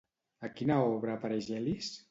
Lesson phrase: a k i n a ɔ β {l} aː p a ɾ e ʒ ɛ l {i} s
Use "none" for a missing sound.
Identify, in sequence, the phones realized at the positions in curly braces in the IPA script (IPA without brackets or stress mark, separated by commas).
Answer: ɾ, i